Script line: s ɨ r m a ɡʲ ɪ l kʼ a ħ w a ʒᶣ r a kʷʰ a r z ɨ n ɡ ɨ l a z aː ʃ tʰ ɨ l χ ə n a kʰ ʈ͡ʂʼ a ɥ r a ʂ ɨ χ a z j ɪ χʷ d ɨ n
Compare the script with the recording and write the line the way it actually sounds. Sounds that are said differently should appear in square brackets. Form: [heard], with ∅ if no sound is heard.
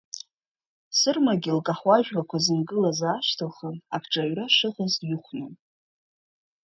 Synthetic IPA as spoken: s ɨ r m a ɡʲ ɪ l kʼ a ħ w a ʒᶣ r a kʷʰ a [∅] z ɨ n ɡ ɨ l a z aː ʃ tʰ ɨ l χ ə n a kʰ ʈ͡ʂʼ a ɥ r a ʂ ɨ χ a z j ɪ χʷ [n] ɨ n